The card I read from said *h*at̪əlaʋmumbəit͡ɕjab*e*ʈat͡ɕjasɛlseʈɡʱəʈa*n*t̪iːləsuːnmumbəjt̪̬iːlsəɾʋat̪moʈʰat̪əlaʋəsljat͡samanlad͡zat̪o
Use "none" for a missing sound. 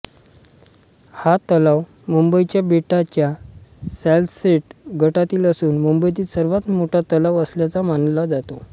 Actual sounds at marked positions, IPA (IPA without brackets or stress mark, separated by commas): h, e, none